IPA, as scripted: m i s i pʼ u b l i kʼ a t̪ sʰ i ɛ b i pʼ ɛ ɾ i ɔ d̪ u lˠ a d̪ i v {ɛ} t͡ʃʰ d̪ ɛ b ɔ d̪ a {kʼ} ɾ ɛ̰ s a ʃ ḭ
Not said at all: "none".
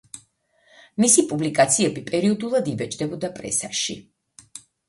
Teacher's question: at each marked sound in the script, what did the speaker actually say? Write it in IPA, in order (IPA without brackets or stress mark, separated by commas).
ɛ, pʼ